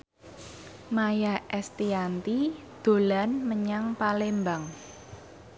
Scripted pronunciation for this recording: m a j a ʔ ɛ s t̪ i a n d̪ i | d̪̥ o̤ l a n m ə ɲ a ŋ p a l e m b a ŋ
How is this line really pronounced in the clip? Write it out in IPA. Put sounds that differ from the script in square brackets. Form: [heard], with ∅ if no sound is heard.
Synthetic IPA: m a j a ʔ ɛ s t̪ i a n [t̪] i | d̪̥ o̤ l a n m ə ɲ a ŋ p a l e m b a ŋ